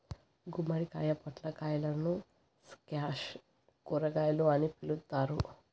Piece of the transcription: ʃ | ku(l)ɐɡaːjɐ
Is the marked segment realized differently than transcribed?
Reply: yes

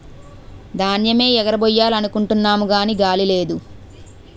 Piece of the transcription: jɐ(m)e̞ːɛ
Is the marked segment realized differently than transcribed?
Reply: no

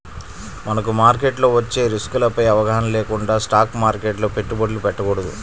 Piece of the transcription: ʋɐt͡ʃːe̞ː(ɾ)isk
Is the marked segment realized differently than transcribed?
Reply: no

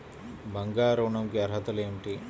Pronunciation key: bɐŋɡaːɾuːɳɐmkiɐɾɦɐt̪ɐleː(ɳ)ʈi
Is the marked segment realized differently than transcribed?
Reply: yes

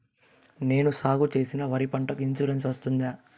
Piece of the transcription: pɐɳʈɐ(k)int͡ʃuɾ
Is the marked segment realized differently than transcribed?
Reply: no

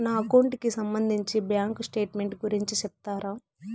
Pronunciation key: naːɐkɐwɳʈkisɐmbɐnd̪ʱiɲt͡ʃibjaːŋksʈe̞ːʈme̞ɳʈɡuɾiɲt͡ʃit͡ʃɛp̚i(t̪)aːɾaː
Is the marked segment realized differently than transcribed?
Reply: no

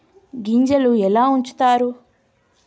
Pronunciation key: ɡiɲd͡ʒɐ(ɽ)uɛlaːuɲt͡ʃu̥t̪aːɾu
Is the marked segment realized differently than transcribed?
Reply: yes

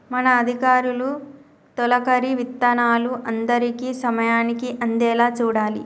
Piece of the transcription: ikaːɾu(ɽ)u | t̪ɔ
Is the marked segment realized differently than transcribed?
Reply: yes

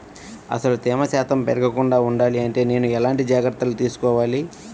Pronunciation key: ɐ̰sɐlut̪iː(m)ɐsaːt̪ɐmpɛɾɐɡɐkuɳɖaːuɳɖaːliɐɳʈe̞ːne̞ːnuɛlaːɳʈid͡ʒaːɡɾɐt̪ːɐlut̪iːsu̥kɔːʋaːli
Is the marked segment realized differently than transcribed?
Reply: no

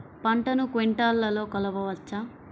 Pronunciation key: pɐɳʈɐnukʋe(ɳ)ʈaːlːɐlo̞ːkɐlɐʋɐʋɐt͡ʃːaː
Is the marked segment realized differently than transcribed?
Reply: no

